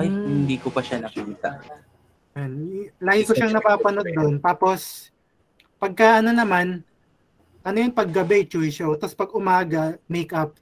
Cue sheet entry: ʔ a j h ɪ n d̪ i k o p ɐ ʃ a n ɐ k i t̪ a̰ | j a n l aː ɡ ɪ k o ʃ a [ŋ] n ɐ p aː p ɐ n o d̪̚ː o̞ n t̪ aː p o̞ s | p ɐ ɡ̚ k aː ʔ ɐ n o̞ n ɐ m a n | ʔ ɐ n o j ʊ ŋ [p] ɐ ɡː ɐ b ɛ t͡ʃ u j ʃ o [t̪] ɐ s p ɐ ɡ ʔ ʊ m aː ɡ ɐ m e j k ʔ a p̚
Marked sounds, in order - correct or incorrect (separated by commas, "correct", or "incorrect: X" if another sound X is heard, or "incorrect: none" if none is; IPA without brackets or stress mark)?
correct, correct, correct